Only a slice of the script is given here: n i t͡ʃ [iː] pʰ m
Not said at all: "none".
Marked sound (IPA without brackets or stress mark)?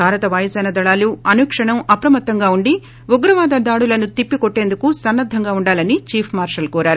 iː